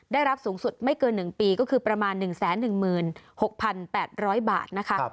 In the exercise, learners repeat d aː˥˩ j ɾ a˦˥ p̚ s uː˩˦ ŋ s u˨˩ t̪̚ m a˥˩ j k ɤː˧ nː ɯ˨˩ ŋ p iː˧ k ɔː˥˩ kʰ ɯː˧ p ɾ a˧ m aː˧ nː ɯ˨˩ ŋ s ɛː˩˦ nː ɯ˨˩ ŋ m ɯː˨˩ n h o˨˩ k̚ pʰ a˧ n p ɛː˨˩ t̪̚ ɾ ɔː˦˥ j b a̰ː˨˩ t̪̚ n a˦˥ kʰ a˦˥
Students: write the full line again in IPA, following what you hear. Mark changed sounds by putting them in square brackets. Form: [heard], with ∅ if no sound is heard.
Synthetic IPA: d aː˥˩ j ɾ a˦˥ p̚ s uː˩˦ ŋ s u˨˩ t̪̚ m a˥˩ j k ɤː˧ nː ɯ˨˩ ŋ p iː˧ k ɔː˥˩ kʰ ɯː˧ p ɾ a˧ m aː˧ nː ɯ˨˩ ŋ s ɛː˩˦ nː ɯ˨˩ ŋ m ɯː˨˩ n h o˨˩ k̚ pʰ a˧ n p ɛː˨˩ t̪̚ ɾ ɔː˦˥ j b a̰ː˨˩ t̪̚ n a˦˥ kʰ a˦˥